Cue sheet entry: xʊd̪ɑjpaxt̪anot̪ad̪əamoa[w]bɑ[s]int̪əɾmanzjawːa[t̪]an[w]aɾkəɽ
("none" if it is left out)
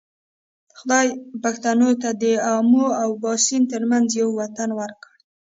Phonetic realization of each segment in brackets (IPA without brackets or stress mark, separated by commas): w, s, t̪, w